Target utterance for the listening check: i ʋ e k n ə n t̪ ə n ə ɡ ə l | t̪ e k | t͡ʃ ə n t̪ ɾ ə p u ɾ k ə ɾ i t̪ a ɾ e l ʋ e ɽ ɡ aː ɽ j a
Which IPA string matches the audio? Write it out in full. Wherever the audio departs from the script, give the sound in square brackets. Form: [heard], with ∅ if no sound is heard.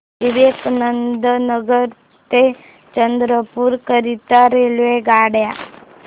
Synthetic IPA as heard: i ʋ e k n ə n [d̪] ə n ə ɡ ə [ɾ] | t̪ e [∅] | t͡ʃ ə n [d̪] ɾ ə p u ɾ k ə ɾ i t̪ a ɾ e l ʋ e [∅] ɡ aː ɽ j a